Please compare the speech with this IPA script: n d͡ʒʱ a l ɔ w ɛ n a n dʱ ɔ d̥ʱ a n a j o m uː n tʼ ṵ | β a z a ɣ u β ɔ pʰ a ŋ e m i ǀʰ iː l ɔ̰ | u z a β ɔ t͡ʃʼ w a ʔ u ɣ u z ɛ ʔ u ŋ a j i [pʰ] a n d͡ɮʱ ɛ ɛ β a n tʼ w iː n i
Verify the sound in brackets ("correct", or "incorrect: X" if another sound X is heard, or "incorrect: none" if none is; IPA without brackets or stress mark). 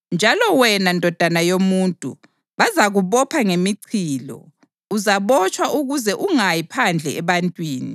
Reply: correct